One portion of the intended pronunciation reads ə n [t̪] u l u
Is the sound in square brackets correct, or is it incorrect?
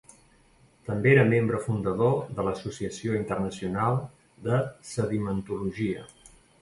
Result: correct